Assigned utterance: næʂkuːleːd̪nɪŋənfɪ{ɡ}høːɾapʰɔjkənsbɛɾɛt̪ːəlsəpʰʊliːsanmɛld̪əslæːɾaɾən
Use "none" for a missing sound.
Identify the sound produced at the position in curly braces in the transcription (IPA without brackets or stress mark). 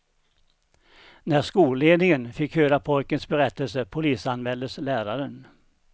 k